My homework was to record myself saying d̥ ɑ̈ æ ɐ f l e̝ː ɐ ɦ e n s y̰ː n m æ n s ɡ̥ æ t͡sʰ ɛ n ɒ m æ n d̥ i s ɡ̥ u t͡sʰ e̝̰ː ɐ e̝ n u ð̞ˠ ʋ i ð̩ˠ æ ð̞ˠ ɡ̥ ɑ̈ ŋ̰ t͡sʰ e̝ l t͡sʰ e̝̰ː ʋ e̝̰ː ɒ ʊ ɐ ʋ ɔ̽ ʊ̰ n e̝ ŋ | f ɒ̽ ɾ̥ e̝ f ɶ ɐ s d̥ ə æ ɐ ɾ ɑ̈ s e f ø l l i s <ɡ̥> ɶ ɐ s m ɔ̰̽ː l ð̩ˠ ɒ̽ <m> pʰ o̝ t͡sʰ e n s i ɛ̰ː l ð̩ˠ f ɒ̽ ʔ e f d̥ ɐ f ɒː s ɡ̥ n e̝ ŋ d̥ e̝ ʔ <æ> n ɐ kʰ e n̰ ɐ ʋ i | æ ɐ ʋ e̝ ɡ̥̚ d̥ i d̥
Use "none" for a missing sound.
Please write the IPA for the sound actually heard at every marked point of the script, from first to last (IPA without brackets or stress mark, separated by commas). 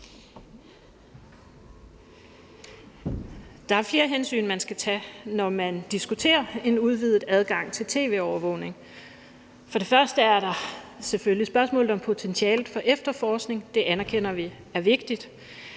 b̥, m, æ